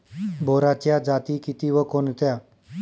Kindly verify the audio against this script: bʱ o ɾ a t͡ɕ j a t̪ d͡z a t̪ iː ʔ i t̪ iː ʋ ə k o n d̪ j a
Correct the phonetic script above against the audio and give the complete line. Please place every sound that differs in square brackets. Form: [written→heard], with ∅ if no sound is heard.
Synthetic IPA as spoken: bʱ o ɾ a t͡ɕ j a [t̪→∅] d͡z a t̪ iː [ʔ→k] i t̪ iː ʋ ə k o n [d̪→t̪] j a